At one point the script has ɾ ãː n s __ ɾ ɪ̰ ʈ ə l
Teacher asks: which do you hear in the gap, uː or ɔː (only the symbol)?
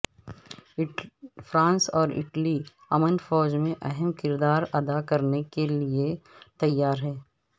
ɔː